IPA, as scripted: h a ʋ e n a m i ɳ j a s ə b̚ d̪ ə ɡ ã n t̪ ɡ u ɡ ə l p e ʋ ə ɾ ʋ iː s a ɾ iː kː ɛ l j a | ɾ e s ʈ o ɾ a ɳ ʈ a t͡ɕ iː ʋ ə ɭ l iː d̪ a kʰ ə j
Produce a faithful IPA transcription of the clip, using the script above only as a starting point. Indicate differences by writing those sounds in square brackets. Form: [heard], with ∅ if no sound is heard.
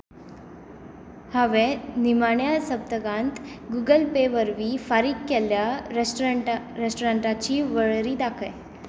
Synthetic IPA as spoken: h a ʋ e n [i] m [a] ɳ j a s ə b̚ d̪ ə ɡ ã n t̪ ɡ u ɡ ə l p e ʋ ə ɾ ʋ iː [f] a ɾ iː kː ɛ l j a | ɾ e s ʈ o ɾ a ɳ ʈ a t͡ɕ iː ʋ ə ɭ [ɾ] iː d̪ a kʰ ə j